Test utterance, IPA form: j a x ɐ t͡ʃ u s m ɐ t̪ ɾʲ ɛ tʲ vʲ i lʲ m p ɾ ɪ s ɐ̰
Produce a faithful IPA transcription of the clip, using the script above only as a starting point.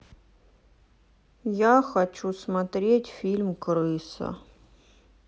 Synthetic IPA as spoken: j a x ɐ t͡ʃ u s m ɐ t̪ ɾʲ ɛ tʲ fʲ i lʲ m k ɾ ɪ s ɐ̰